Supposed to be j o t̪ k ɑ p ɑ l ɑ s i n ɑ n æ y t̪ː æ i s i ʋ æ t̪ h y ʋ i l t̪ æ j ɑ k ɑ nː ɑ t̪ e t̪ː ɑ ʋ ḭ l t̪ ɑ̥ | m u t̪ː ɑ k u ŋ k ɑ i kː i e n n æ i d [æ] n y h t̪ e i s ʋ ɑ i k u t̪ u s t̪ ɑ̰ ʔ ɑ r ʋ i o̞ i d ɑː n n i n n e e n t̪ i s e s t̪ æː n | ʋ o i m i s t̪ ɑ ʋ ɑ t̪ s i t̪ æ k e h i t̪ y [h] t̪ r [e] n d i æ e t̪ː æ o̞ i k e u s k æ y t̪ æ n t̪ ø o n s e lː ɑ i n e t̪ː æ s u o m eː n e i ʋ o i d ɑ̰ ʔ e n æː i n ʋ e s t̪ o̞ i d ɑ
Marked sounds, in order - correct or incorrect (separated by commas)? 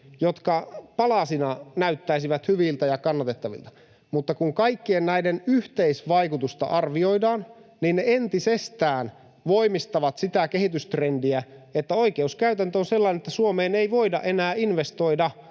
incorrect, incorrect, correct